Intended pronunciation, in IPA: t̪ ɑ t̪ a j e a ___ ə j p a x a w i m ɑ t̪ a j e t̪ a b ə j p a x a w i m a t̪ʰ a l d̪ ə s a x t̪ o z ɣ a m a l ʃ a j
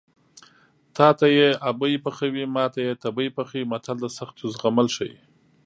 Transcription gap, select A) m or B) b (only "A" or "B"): B